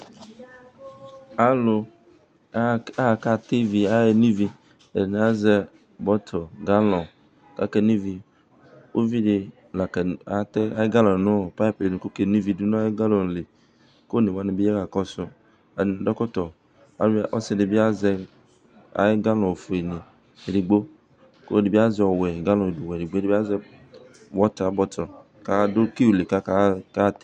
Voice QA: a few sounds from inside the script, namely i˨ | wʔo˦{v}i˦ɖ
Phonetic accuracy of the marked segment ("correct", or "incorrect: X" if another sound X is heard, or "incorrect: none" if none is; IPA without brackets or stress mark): correct